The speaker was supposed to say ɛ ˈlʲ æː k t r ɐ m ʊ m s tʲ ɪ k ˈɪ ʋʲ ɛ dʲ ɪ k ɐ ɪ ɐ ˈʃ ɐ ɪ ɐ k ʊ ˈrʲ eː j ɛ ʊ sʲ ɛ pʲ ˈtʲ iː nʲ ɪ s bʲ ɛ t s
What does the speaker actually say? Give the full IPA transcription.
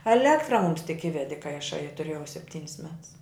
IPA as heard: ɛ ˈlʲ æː k t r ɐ m ʊ m s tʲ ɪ k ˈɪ ʋʲ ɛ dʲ ɪ k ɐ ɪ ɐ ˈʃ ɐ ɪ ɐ t ʊ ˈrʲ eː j ɛ ʊ sʲ ɛ pʲ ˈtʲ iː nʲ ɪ s mʲ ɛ t s